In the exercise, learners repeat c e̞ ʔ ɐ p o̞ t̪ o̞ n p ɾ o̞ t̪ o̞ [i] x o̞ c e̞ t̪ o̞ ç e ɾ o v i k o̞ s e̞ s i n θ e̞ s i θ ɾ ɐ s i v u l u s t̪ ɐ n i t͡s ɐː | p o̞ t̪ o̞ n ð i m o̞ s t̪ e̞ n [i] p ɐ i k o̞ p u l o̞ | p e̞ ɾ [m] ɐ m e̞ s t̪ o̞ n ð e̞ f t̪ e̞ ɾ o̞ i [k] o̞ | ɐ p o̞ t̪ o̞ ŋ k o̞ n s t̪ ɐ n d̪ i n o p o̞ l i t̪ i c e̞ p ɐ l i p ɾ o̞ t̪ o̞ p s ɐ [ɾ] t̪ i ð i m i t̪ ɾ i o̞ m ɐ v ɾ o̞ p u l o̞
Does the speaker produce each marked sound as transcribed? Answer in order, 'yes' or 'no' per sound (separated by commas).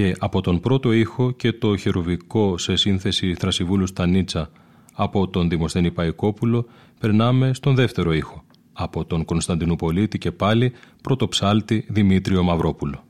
yes, yes, no, no, no